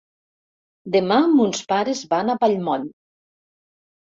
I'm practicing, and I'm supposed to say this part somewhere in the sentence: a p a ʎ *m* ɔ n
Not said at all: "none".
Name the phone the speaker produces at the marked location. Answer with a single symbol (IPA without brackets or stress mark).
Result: m